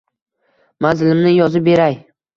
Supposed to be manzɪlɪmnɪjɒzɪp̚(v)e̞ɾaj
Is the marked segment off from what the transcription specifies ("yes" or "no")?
yes